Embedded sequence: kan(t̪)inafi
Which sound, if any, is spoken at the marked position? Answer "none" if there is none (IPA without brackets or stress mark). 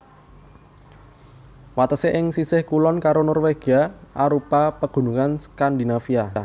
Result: d̪